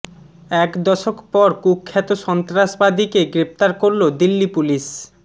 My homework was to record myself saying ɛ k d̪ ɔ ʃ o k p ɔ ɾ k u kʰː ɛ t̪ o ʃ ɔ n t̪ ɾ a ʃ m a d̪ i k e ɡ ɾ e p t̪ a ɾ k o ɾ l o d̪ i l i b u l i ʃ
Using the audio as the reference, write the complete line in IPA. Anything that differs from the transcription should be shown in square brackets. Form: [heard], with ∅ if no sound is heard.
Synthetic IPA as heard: ɛ k d̪ ɔ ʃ o k p ɔ ɾ k u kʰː ɛ t̪ o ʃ ɔ n t̪ ɾ a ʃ [b] a d̪ i k e ɡ ɾ e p t̪ a ɾ k o ɾ l o d̪ i [lː] i [p] u l i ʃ